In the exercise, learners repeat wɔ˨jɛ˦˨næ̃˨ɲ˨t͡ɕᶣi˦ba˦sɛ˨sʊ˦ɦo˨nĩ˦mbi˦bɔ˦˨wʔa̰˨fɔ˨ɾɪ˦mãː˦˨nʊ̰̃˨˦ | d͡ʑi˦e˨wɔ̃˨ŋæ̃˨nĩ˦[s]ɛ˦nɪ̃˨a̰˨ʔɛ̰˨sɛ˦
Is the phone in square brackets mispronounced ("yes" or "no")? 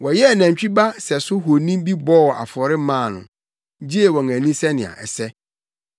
no